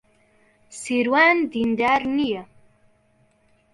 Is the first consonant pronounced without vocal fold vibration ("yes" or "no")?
yes